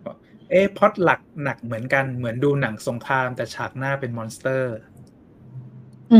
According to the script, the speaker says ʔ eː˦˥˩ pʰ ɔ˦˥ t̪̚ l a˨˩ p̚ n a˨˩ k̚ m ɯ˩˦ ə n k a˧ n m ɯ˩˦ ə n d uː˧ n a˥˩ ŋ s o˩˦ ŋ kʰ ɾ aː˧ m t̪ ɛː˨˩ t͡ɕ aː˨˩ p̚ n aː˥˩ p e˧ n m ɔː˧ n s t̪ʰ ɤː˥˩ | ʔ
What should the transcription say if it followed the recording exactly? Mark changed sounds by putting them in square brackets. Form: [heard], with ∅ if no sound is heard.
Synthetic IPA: ʔ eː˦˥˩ pʰ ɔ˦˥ t̪̚ l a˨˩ [k̚] n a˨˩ k̚ m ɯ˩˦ ə n k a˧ n m ɯ˩˦ ə n d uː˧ n [a˩˦] ŋ s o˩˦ ŋ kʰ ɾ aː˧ m t̪ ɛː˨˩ [t͡ɕʰ] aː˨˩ [k̚] n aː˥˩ p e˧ n m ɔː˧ n s [t̪] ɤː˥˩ | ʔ